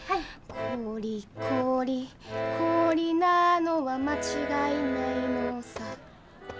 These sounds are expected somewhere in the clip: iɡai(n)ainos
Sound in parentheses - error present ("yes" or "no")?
no